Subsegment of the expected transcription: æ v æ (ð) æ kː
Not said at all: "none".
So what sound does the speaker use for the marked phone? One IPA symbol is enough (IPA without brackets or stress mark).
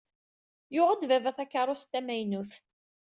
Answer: θ